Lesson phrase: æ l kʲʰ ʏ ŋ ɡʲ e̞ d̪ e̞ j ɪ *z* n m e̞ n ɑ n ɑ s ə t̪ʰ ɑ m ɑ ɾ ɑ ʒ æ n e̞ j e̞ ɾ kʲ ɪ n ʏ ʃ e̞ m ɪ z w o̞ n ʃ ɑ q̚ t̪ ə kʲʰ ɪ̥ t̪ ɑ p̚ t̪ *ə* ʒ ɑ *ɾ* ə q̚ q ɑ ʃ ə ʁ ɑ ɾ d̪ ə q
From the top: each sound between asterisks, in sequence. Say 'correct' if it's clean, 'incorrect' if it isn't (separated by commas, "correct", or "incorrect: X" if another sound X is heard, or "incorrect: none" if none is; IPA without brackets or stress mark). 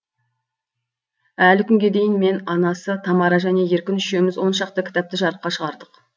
incorrect: none, correct, correct